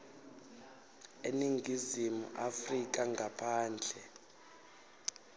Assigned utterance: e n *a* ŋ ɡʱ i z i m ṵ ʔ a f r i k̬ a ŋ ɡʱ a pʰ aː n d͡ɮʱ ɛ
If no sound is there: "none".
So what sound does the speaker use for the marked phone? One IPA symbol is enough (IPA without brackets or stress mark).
i